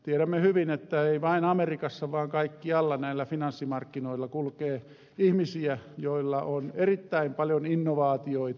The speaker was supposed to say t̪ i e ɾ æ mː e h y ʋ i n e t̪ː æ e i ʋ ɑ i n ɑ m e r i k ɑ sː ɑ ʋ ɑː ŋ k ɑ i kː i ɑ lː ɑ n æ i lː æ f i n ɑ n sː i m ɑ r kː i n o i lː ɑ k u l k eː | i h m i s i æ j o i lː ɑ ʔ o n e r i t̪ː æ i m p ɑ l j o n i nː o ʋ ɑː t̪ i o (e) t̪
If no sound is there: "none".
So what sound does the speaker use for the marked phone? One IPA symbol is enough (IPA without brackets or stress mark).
i